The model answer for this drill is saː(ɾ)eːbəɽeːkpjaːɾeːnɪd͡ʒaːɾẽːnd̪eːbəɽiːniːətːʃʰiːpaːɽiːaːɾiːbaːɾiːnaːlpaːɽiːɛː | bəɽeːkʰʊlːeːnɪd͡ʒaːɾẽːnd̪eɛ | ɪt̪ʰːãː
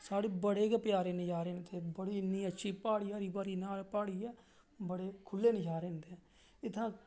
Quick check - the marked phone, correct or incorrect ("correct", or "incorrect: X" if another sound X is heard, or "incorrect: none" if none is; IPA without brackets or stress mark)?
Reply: incorrect: ɽ